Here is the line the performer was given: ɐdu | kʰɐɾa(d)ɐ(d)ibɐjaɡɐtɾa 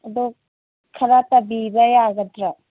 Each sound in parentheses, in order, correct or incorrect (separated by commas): incorrect, incorrect